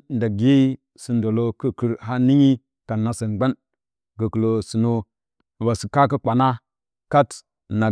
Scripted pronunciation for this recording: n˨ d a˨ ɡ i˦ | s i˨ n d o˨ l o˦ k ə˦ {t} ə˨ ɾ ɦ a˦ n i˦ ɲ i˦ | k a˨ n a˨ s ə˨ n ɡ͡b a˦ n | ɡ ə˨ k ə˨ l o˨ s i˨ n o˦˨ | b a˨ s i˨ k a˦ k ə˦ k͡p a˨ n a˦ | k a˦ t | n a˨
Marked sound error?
yes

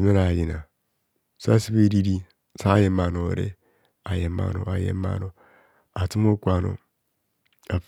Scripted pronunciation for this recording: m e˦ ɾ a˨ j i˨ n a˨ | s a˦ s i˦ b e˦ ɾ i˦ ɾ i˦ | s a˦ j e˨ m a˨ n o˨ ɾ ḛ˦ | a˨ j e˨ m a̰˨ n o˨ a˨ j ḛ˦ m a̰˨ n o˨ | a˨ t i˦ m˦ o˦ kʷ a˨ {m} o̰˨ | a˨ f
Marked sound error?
yes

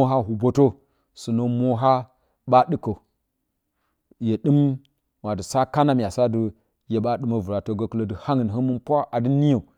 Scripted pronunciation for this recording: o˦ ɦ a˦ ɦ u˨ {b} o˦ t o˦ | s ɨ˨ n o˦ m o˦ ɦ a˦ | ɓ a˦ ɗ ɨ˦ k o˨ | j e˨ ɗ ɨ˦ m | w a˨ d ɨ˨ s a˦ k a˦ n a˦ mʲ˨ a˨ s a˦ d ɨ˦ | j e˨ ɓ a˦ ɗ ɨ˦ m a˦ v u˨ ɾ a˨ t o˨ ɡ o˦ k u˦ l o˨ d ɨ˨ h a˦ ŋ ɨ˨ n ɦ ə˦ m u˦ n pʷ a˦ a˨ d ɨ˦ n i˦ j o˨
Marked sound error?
no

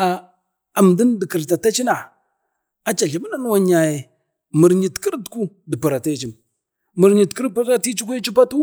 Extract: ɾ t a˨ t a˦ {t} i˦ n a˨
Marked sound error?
yes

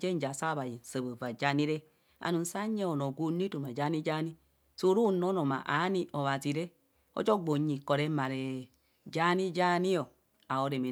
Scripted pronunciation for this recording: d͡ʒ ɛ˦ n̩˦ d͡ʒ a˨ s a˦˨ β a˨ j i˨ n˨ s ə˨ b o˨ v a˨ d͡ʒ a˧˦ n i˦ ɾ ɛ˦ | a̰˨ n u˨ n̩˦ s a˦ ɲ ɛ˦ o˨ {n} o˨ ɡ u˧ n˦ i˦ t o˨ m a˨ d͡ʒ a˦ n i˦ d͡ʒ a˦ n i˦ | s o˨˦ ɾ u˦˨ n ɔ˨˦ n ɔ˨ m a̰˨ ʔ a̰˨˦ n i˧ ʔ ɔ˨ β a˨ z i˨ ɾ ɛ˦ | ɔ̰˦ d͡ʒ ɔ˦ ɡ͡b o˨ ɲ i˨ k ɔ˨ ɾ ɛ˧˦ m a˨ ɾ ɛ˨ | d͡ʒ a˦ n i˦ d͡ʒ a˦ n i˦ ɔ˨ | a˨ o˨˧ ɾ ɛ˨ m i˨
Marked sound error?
no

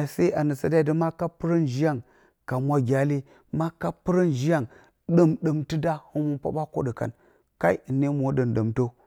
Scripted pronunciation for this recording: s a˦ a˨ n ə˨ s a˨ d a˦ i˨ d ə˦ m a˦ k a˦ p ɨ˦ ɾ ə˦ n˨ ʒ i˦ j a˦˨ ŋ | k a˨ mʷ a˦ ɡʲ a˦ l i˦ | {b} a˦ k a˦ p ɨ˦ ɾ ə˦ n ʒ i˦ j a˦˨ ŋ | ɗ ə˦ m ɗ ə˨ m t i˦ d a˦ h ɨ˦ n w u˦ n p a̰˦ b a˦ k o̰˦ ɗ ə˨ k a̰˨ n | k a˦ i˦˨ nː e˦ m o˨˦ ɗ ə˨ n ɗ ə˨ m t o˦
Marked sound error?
yes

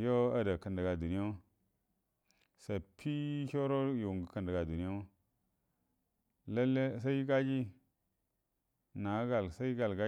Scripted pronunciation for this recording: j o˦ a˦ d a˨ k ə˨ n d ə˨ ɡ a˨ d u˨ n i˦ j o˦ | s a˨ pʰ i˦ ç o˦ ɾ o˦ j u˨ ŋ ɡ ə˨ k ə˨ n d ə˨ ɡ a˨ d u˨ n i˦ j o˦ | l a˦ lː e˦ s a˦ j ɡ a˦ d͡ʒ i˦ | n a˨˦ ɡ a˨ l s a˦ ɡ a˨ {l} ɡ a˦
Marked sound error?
no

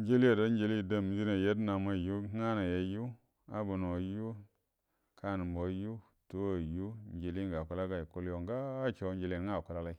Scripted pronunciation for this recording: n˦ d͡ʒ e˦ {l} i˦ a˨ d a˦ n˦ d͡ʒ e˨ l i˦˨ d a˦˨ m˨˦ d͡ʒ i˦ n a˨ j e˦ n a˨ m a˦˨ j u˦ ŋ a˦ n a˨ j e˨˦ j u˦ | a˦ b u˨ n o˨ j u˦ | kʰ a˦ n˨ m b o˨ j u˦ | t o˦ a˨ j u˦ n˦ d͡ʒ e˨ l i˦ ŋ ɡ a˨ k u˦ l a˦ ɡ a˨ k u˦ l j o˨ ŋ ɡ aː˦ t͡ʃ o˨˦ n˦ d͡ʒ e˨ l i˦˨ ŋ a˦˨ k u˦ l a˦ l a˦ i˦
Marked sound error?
no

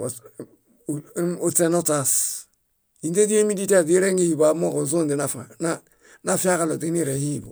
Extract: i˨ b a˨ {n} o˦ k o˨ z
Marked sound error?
yes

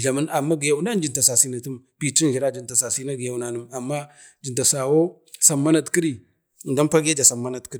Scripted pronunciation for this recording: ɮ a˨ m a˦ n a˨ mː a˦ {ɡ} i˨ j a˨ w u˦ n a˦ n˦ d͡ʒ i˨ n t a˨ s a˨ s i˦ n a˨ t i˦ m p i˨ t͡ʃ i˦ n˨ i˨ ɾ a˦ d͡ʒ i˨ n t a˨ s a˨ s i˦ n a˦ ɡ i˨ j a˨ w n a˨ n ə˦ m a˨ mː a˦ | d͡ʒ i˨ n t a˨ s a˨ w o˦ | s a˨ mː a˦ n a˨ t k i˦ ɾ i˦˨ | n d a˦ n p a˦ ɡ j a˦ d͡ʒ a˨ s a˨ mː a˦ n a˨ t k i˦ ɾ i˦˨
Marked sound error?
no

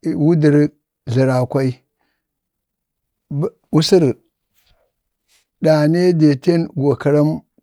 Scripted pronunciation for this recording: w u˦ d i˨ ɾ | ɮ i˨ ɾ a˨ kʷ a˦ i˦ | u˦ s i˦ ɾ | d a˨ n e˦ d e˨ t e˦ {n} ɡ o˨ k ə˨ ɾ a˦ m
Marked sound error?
no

